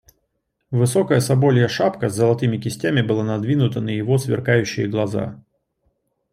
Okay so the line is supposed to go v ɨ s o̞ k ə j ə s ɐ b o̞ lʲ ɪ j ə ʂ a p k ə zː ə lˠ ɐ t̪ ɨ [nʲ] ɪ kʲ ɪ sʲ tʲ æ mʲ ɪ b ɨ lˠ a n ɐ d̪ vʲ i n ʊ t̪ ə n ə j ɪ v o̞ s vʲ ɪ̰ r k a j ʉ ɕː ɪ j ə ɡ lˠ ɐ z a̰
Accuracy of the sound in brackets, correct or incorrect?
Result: incorrect: mʲ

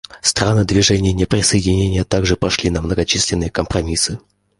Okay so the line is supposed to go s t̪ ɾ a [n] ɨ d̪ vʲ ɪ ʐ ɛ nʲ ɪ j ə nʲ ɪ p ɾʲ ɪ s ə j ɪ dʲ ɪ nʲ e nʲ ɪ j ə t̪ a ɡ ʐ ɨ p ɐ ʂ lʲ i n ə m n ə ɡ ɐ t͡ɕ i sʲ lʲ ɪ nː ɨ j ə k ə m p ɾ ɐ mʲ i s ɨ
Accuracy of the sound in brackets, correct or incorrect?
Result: correct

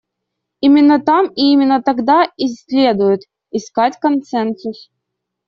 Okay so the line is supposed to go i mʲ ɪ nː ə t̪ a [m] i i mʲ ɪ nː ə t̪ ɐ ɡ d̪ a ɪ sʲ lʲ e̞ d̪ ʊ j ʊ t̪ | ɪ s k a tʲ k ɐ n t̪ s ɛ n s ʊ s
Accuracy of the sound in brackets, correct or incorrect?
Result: correct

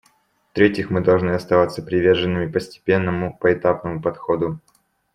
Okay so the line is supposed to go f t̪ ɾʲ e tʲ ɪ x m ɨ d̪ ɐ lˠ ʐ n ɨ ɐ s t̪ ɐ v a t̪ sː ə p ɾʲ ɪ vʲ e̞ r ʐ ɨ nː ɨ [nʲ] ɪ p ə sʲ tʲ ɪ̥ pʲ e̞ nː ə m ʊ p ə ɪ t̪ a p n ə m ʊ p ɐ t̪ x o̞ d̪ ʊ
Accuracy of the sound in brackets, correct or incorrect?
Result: incorrect: mʲ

